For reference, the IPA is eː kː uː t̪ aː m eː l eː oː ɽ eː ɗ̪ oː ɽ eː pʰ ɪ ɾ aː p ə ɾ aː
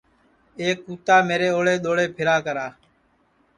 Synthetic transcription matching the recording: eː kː uː t̪ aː m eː ɾ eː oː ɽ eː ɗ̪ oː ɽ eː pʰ ɪ ɾ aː k ə ɾ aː